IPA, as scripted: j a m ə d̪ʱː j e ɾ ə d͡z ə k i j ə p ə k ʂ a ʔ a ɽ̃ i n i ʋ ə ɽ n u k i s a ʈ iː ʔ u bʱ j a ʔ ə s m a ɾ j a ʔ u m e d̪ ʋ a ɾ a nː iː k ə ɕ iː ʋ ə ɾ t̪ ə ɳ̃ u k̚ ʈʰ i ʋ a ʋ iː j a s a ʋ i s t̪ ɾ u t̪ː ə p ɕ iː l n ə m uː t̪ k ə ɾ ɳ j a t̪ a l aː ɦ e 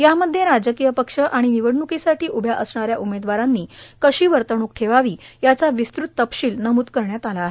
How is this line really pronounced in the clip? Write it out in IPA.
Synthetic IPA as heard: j a m ə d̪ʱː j e ɾ a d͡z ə k i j ə p ə k ʂ ə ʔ a ɽ̃ i n i ʋ ə ɽ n u k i s a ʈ iː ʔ u bʱ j a ʔ ə s ɳ a ɾ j a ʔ u m e d̪ ʋ a ɾ a nː iː k ə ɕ iː ʋ ə ɾ t̪ ə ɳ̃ u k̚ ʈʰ e ʋ a ʋ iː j a t͡s a ʋ i s t̪ ɾ u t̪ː ə p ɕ iː l n ə m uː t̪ k ə ɾ ɳ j a t̪ a l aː ɦ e